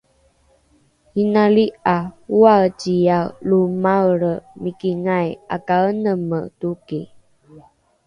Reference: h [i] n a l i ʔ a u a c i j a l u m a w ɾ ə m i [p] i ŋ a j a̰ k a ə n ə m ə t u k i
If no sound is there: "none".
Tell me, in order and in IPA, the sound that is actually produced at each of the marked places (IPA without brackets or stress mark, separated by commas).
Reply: i, k